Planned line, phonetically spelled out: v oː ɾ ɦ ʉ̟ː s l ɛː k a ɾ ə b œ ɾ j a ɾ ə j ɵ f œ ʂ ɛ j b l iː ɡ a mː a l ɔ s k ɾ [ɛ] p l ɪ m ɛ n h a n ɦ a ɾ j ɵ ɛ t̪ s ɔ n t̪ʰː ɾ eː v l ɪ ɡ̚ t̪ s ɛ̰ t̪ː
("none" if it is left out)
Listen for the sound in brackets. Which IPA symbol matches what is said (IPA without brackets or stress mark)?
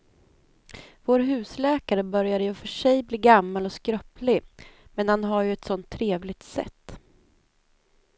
œ